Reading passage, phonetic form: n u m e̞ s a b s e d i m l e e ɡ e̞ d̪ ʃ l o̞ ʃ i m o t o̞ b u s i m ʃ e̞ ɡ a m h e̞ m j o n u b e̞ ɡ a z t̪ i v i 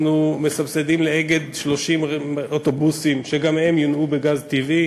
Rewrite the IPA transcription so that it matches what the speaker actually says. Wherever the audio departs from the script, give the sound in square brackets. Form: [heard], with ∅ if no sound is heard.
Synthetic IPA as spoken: n u m e̞ s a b s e d i m l e e ɡ e̞ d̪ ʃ l o̞ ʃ i m o t o̞ b u s i m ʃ e̞ ɡ a m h e̞ m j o n u b e̞ ɡ a z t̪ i v i